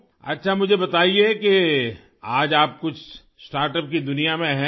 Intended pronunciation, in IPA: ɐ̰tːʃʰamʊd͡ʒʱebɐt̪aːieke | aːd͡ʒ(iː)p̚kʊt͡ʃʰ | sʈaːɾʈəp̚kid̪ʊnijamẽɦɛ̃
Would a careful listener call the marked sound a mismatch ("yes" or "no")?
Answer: yes